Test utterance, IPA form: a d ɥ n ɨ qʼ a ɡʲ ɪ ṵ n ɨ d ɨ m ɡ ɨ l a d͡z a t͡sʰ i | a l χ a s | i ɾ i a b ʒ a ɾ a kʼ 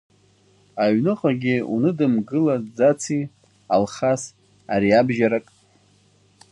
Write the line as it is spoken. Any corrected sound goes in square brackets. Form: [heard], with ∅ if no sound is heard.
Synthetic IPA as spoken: a [∅] ɥ n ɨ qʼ a ɡʲ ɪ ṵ n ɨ d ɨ m ɡ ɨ l a d͡z a t͡sʰ i | a l χ a s | [a] ɾ i a b ʒ a ɾ a kʼ